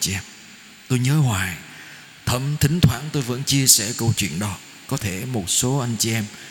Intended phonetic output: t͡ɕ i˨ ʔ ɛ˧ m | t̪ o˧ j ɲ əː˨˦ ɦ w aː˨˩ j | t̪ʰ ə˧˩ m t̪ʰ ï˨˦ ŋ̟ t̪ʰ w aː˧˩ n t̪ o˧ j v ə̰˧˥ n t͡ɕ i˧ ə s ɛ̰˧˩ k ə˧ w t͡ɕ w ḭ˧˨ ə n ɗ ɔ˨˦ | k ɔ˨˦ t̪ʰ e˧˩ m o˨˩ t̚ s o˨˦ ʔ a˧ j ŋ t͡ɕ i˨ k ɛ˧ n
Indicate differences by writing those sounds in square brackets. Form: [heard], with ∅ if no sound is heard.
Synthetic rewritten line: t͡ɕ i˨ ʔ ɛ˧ m | t̪ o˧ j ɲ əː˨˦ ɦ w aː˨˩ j | t̪ʰ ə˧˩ m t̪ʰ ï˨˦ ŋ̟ t̪ʰ w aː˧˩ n t̪ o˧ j v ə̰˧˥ n t͡ɕ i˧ ə s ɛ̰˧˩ k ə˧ w t͡ɕ w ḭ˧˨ ə n ɗ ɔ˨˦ | k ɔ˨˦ t̪ʰ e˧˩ m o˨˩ t̚ s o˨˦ ʔ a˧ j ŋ t͡ɕ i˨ [ʔ] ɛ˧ [m]